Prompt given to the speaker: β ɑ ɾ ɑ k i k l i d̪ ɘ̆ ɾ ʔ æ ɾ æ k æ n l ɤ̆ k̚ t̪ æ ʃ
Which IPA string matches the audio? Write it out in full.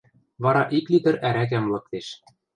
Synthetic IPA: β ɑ ɾ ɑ ʔ i k l i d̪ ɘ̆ ɾ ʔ æ ɾ æ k æ m l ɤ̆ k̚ t̪ e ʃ